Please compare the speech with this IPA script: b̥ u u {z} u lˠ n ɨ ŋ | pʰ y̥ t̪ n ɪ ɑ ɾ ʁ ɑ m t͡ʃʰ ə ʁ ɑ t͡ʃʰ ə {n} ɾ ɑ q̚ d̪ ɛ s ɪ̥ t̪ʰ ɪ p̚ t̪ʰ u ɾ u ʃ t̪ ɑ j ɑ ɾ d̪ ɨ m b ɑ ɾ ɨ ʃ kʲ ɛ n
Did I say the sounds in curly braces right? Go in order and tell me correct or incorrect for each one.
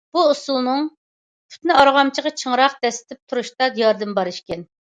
incorrect, incorrect

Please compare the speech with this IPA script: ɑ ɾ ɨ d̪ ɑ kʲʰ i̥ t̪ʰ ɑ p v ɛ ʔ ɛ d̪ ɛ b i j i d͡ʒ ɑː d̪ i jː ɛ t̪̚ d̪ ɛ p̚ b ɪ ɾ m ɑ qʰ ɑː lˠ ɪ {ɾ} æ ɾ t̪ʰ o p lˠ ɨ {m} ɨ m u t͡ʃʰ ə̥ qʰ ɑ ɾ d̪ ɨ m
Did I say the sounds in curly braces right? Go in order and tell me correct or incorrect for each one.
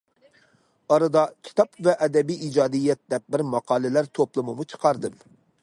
incorrect, correct

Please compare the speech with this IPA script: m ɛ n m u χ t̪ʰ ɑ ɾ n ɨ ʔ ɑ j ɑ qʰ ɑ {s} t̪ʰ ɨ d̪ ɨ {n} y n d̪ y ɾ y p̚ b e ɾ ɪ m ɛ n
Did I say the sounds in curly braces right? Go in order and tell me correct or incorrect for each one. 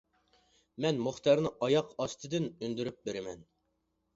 correct, correct

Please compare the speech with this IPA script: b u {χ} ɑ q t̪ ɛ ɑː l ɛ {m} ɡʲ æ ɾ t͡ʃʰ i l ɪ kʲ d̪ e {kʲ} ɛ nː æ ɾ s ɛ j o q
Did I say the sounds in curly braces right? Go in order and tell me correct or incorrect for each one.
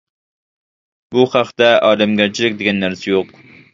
correct, correct, incorrect

